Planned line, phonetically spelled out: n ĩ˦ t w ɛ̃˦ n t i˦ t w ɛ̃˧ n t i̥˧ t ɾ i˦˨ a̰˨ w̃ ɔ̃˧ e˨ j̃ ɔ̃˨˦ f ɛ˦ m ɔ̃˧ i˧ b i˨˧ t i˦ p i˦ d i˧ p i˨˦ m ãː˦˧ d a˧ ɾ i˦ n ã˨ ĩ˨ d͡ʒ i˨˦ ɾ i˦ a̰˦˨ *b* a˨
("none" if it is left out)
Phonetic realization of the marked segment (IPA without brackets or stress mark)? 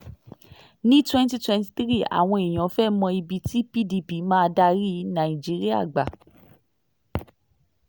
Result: ɡ͡b